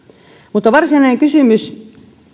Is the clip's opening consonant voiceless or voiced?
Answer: voiced